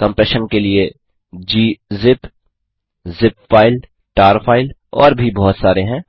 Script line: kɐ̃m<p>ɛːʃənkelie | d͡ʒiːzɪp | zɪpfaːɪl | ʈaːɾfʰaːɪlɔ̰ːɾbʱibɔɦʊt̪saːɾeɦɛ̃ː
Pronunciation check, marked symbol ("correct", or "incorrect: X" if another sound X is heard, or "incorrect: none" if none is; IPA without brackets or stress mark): correct